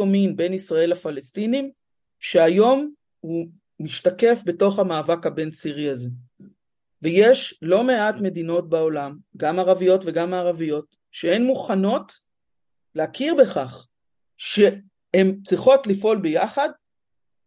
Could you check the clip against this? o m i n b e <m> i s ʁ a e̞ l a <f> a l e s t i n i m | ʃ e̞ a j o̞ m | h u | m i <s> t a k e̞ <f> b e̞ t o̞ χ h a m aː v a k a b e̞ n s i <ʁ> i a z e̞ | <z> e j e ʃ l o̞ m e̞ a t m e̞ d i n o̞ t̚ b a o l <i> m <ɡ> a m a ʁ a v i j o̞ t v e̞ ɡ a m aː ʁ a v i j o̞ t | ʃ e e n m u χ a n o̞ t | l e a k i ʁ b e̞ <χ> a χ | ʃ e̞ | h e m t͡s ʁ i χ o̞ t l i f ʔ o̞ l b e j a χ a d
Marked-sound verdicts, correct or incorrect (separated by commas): incorrect, correct, incorrect, correct, correct, incorrect, incorrect, correct, correct